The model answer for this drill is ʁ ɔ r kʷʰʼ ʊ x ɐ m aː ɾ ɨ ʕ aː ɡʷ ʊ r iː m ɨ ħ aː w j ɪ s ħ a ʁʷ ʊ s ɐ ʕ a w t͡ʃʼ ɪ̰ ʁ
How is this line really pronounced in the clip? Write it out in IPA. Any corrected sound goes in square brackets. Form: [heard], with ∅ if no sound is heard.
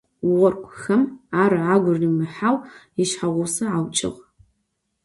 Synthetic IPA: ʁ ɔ r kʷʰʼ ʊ x ɐ m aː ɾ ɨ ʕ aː ɡʷ ʊ r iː m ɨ ħ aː w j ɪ [ʃ] ħ a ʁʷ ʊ s ɐ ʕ a w t͡ʃʼ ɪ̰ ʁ